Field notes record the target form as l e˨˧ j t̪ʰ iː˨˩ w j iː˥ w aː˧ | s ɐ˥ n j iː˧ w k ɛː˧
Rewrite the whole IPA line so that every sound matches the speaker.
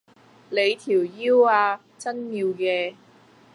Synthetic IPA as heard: l e˨˧ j t̪ʰ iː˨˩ w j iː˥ w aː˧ | t͡s ɐ˥ n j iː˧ w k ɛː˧